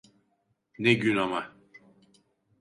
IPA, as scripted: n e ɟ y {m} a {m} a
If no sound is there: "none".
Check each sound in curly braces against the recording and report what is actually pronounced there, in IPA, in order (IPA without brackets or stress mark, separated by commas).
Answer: n, m